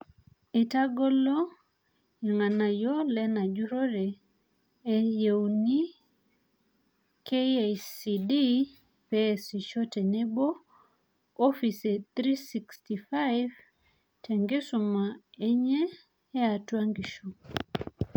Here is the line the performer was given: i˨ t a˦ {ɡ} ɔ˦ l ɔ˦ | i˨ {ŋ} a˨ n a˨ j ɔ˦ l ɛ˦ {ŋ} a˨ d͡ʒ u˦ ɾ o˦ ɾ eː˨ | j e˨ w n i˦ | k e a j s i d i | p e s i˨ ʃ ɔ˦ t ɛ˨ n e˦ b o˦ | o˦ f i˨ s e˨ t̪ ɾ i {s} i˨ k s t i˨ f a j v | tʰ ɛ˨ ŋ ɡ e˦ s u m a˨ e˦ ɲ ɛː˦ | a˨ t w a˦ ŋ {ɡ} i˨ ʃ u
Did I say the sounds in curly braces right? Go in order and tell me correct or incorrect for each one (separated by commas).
correct, correct, incorrect, correct, correct